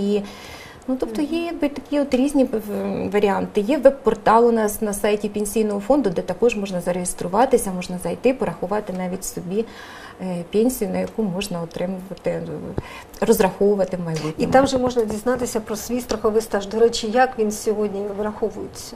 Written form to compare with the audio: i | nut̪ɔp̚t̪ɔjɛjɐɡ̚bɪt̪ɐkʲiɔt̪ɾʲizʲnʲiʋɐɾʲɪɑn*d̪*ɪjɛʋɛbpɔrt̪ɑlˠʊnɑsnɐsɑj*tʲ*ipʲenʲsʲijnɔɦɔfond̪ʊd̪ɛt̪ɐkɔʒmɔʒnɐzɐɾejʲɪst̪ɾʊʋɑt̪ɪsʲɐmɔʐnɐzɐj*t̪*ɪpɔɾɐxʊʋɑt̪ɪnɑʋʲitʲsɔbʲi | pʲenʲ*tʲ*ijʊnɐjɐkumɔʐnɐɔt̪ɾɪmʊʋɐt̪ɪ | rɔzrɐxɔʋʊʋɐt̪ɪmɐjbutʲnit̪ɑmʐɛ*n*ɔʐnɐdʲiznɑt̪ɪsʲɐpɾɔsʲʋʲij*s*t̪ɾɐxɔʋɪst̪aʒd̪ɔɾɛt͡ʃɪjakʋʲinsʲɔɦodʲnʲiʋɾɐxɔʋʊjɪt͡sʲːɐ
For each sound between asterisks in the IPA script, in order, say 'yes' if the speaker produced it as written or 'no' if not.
no, yes, yes, no, no, yes

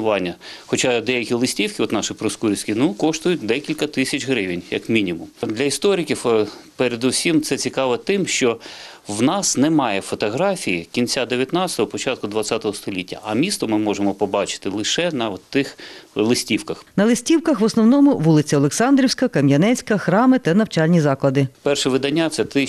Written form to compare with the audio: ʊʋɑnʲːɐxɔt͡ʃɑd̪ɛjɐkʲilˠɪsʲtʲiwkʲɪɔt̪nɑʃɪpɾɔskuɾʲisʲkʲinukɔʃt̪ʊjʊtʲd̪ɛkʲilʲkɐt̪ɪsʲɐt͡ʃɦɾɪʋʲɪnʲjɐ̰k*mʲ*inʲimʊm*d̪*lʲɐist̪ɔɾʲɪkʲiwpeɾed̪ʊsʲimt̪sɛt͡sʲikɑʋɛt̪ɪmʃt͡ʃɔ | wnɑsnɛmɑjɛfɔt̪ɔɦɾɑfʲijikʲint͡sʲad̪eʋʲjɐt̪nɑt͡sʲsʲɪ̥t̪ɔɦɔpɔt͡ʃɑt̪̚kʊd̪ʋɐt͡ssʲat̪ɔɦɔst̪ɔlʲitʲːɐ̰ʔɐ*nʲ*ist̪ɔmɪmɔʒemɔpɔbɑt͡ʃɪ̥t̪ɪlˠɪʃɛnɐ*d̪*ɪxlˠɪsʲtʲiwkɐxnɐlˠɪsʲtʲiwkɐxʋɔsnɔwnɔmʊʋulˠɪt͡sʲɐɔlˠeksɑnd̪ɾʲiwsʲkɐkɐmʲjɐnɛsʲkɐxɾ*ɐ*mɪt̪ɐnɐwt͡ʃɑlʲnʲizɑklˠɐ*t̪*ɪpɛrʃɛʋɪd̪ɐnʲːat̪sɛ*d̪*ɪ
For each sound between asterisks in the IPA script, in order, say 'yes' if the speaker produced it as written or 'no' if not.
yes, yes, no, no, no, no, no

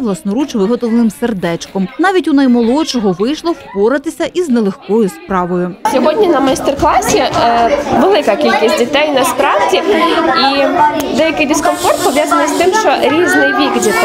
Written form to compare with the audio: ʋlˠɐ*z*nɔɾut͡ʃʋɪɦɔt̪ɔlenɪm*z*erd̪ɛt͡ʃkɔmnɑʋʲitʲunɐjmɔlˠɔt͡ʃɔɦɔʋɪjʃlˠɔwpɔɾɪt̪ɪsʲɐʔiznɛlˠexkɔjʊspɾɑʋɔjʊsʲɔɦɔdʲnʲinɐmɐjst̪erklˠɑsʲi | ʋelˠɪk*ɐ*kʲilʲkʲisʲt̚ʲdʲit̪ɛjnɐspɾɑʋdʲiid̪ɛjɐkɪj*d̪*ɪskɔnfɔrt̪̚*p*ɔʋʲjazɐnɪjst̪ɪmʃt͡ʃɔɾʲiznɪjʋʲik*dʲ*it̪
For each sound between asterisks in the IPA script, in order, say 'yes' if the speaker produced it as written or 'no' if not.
no, no, yes, yes, yes, yes

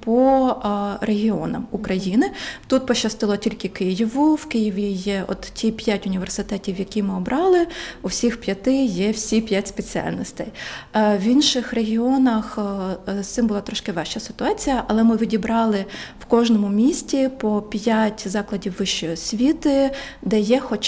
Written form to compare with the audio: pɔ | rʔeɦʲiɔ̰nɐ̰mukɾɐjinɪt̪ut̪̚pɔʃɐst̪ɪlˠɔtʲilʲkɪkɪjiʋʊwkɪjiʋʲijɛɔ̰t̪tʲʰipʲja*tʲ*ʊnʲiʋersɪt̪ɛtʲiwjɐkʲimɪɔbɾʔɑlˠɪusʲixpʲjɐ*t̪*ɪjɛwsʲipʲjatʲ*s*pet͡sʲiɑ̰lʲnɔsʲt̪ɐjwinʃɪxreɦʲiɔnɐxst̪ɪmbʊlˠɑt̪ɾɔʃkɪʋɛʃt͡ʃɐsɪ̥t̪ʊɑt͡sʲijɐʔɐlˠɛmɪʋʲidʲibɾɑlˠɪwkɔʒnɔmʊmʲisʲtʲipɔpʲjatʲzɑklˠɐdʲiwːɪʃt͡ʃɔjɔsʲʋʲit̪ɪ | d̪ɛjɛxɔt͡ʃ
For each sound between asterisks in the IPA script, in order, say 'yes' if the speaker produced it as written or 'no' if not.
yes, yes, yes

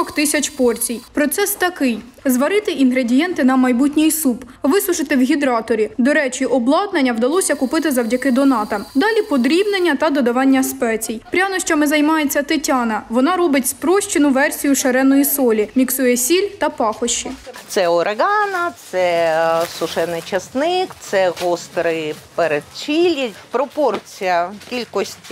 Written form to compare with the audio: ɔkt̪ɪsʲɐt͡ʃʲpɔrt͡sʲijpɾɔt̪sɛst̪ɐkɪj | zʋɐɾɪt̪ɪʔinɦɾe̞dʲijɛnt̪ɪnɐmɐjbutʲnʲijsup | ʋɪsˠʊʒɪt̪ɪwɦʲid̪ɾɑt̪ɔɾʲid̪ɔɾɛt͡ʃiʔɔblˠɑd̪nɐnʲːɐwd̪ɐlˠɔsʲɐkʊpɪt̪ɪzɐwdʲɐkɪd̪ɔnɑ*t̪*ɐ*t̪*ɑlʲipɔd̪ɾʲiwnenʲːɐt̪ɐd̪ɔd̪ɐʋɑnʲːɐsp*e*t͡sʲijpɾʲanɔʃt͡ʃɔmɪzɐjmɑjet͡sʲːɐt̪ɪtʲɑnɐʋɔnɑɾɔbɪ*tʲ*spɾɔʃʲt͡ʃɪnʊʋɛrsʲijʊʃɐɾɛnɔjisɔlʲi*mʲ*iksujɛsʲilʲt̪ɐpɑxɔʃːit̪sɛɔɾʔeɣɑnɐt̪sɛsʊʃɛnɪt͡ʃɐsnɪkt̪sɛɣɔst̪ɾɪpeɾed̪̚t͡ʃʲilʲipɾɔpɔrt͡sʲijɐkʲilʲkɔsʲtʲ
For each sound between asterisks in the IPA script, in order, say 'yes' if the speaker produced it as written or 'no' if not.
yes, no, no, yes, yes

